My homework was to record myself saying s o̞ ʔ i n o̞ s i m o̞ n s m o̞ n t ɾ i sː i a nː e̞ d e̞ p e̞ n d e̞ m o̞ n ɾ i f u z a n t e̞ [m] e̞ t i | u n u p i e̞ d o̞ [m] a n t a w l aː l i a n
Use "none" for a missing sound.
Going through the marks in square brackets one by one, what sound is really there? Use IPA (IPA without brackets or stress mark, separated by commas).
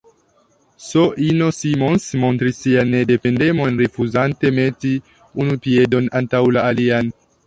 m, n